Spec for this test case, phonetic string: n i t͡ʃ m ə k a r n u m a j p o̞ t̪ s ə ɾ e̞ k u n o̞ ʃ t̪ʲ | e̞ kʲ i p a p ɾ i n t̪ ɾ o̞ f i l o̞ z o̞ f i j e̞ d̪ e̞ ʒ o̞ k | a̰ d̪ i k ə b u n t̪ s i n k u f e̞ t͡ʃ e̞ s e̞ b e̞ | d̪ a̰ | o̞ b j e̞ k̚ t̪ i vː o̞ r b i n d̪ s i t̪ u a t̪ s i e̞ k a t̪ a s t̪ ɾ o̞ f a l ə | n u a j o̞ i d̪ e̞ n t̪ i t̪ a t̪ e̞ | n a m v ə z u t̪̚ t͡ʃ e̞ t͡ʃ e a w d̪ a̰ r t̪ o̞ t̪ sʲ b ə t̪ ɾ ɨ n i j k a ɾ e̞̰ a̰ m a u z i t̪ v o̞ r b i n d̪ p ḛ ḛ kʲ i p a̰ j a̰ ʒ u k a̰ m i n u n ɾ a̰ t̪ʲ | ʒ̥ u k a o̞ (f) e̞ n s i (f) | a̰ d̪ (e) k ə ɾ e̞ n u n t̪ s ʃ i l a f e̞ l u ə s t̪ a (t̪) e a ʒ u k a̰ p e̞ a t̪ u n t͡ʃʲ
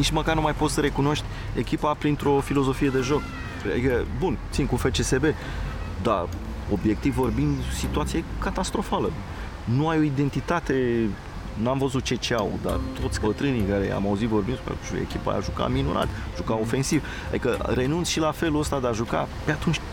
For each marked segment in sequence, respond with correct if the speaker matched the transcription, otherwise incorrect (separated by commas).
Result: correct, incorrect, incorrect, incorrect